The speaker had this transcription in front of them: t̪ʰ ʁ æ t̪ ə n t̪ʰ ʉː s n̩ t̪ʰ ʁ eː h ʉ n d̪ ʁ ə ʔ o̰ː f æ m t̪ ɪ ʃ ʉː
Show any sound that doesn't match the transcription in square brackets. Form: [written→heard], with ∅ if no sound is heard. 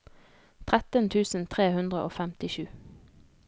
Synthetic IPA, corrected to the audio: t̪ʰ ʁ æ t̪ ə n t̪ʰ ʉː s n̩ t̪ʰ ʁ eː h ʉ n d̪ ʁ ə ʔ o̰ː f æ m t̪ ɪ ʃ ʉː